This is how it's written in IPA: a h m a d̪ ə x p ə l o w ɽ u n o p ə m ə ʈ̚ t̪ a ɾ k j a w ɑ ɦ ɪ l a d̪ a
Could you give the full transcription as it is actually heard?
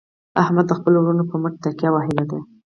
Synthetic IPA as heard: a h m a d̪ː ə x p ə l o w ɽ u n o p ə m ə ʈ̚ t̪ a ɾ k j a w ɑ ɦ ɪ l a d̪ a